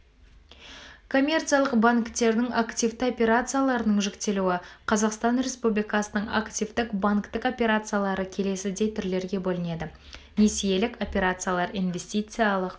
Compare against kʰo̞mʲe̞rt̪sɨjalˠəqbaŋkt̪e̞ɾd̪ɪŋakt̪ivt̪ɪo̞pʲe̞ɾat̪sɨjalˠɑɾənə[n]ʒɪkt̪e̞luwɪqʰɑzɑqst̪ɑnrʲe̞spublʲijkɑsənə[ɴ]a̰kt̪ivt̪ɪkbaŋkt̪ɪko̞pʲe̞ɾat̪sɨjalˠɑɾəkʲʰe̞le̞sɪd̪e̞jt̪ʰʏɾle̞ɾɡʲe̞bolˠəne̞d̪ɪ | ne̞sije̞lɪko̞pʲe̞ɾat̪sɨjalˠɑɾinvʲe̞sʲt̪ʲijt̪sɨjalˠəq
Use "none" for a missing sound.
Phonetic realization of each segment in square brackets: ɴ, ɴ

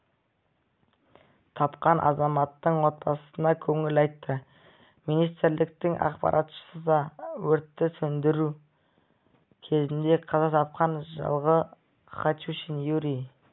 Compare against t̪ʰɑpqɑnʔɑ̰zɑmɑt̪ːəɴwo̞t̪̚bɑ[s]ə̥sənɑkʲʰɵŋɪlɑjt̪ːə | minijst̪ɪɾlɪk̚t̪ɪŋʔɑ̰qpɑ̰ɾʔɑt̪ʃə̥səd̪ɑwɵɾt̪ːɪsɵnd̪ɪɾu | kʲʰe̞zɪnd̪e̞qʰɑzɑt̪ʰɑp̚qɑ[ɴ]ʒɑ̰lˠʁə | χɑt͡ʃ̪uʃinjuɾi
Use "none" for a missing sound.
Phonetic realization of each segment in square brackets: s, n

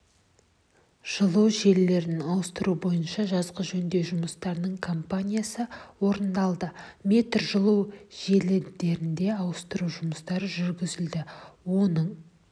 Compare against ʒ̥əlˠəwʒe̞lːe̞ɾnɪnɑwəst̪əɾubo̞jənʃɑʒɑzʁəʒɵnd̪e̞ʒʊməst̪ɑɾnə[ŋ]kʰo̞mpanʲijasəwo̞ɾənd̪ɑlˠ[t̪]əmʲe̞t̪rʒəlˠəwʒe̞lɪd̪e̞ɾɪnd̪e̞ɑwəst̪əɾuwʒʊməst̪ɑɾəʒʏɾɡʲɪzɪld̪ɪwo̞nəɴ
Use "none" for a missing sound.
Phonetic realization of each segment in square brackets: ɴ, d̪

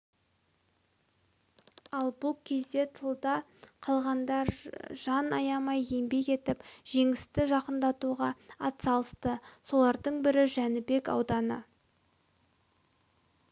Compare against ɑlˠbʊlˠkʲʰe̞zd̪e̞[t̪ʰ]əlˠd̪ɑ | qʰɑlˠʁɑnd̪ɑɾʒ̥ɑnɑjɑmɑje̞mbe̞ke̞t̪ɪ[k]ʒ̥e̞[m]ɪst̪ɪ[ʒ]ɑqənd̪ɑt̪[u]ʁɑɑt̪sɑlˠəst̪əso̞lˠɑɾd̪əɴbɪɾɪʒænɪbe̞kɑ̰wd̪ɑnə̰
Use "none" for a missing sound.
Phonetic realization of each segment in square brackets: t̪ʰ, p, ŋ, ʒ, u

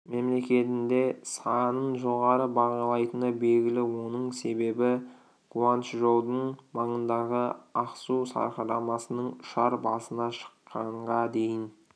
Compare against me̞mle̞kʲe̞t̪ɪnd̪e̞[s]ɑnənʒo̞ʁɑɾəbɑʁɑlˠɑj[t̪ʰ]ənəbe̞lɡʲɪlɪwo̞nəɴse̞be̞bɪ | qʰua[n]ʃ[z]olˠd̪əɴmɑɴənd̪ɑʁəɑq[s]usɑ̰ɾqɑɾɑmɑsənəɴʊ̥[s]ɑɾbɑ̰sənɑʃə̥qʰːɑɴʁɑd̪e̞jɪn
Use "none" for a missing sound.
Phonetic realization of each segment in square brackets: s, t̪, n, ʒ, s, ʃ

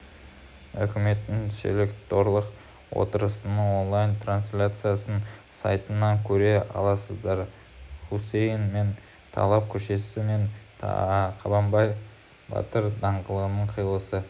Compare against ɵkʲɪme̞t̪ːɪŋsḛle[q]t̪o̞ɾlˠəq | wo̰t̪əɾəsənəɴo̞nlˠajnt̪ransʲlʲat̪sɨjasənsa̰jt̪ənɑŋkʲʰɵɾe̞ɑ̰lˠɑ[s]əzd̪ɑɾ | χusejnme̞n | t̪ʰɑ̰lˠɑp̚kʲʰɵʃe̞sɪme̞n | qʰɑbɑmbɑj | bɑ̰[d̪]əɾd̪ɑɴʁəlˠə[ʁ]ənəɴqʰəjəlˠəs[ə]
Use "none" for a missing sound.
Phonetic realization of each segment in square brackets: k, s, t̪, ʁ, ə

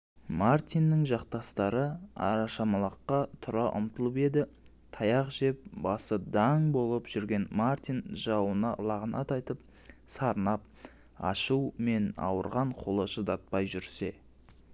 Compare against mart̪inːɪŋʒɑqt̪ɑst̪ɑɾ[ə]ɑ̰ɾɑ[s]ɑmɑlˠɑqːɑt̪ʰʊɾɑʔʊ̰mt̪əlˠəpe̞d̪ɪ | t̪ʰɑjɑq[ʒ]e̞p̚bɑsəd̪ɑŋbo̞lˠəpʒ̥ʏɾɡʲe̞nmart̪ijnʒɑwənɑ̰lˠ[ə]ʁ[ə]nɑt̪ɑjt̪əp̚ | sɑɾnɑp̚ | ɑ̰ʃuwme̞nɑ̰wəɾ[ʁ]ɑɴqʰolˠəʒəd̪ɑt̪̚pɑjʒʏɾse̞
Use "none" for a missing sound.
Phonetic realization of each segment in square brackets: ə, ʃ, ʒ, ɑ, ə, ʁ

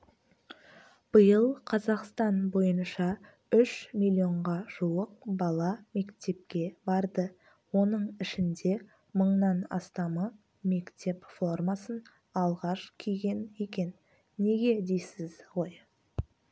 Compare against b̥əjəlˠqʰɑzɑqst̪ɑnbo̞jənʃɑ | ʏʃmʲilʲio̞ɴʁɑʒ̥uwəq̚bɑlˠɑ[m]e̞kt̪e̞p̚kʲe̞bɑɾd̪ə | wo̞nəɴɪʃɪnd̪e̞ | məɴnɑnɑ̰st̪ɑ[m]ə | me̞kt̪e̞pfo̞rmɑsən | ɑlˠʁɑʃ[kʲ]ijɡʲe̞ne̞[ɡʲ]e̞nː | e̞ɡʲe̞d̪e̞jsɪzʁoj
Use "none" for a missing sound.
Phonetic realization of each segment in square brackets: m, m, kʲʰ, kʲ

